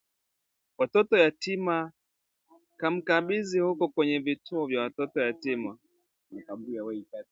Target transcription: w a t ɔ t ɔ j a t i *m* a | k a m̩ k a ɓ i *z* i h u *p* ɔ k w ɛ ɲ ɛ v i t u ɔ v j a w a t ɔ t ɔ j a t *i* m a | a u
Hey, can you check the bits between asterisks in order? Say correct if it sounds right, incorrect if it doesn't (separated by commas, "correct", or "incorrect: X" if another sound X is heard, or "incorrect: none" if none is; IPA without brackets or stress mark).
correct, correct, incorrect: k, correct